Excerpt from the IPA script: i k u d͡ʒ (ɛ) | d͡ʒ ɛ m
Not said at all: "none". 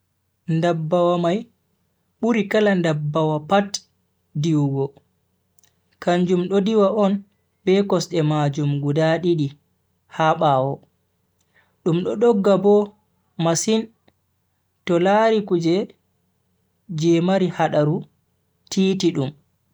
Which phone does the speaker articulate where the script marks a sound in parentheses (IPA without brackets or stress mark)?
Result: ɛ